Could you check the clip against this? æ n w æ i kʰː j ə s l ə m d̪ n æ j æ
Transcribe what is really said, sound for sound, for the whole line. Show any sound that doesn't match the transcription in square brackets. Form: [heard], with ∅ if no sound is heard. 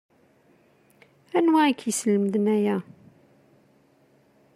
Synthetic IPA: æ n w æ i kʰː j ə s l ə m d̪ n æ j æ